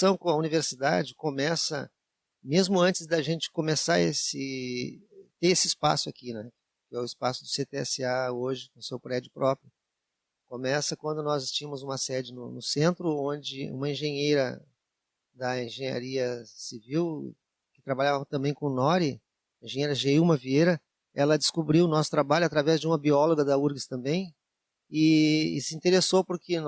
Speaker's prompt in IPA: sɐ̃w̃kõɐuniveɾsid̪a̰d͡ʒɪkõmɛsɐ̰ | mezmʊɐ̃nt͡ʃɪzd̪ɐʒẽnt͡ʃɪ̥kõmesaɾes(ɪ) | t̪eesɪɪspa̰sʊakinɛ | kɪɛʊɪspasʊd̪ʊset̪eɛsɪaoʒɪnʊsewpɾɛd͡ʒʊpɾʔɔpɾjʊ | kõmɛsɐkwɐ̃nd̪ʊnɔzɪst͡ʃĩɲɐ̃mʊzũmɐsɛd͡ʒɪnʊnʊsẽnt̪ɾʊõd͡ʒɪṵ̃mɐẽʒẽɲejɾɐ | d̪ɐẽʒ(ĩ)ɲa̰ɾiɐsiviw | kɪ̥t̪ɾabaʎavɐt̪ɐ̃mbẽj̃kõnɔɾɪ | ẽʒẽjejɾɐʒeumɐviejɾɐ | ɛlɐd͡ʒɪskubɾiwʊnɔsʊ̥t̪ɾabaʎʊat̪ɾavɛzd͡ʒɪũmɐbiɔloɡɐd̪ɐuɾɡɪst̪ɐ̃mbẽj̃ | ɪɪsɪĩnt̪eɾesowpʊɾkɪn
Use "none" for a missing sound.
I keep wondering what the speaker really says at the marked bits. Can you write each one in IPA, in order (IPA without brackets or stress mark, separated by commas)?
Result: ɪ, ẽ